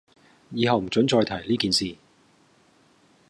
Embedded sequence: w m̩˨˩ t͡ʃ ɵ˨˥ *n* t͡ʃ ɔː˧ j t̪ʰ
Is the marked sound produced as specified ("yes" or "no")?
yes